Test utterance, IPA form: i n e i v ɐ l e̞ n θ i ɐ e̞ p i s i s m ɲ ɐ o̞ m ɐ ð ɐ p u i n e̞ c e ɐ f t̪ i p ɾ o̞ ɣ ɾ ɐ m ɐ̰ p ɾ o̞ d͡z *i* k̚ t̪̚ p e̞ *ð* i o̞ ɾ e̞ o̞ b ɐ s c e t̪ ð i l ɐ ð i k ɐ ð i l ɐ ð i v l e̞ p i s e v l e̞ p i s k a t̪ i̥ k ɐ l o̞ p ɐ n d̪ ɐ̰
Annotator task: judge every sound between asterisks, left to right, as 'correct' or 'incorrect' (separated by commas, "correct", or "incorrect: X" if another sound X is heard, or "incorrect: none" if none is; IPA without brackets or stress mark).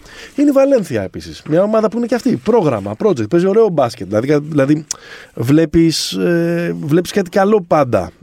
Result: incorrect: e, incorrect: z